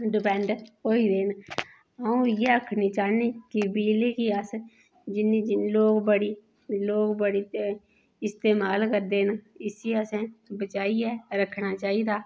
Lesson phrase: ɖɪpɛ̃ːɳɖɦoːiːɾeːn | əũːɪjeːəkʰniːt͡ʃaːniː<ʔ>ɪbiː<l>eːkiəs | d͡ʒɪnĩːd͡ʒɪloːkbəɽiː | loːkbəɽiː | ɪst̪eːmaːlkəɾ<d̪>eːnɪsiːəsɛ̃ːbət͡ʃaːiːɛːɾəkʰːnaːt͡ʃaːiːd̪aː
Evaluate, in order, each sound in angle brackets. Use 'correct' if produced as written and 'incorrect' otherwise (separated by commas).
incorrect, correct, correct